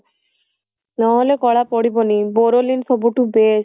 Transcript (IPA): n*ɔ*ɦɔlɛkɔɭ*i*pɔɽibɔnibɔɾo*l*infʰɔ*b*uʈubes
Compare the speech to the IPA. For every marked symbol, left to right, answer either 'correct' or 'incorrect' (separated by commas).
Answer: correct, incorrect, correct, correct